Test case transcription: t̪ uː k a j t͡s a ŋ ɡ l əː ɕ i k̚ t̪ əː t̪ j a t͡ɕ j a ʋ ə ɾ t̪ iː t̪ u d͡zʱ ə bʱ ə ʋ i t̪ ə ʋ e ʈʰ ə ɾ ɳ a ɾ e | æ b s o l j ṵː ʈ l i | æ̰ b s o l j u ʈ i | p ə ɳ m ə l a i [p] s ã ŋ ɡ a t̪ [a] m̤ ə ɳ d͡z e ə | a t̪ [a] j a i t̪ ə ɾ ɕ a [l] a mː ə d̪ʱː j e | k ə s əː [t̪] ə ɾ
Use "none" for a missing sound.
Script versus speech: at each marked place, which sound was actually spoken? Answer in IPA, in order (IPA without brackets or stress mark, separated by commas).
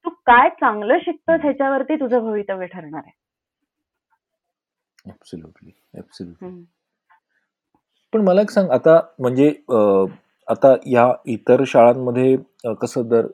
k, a, a, ɭ, d̪